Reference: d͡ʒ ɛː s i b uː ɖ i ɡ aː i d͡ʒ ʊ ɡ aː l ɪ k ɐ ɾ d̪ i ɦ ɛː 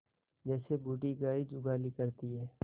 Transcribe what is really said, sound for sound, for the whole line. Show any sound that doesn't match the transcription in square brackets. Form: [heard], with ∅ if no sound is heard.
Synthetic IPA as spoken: d͡ʒ ɛː s [e] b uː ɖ i ɡ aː i d͡ʒ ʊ ɡ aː l [i] k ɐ ɾ [t̪] i ɦ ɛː